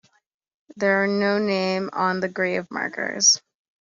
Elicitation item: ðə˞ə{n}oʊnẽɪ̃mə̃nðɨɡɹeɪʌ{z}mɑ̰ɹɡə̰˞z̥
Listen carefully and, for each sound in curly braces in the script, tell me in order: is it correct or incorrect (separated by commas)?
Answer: correct, incorrect